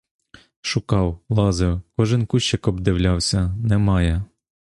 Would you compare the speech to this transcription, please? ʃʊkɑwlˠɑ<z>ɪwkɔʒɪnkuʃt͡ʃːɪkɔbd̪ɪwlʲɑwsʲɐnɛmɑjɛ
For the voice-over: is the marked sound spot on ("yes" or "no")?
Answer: yes